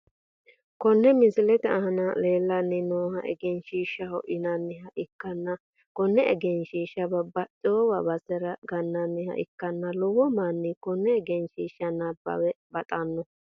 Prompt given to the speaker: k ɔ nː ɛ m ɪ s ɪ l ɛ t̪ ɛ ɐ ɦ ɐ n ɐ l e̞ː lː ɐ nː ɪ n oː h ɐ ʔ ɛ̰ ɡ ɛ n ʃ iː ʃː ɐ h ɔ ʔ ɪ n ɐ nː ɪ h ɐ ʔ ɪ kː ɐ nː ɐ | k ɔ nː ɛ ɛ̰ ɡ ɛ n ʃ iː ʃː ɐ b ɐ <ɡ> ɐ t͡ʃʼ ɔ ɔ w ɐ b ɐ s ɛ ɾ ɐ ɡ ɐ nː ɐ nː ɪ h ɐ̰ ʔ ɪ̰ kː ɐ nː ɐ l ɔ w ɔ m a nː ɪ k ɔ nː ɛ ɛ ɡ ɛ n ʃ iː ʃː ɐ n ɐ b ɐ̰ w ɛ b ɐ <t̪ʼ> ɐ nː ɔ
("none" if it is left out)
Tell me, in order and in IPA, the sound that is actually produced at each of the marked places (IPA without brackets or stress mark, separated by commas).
b, t̪ʼ